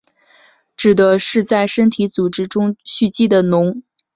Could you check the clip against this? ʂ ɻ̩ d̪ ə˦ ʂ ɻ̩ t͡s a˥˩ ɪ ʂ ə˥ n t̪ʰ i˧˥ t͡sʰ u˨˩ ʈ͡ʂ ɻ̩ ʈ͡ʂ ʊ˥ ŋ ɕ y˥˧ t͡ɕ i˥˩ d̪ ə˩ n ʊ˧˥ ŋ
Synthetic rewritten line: ʈ͡ʂ ɻ̩ d̪ ə˦ ʂ ɻ̩ t͡s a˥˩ ɪ ʂ ə˥ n t̪ʰ i˧˥ t͡s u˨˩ ʈ͡ʂ ɻ̩ ʈ͡ʂ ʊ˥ ŋ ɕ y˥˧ t͡ɕ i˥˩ d̪ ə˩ n ʊ˧˥ ŋ